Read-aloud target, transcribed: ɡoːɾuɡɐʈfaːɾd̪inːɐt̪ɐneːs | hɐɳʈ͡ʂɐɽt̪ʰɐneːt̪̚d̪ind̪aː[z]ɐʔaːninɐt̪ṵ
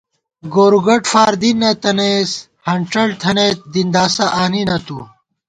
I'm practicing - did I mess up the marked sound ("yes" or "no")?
yes